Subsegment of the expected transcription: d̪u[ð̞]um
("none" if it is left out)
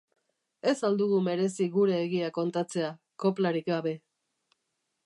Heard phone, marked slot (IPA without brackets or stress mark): ɣ̞